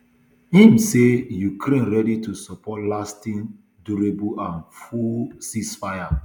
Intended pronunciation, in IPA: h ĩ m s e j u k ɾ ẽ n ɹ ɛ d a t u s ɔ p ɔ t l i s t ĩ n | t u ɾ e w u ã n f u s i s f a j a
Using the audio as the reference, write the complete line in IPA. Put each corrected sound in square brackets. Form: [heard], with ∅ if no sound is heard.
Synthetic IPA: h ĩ m s e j u k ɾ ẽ n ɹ ɛ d [i] t u s ɔ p ɔ t l [a] s t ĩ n | [d] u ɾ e [b] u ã n f u s i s f a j a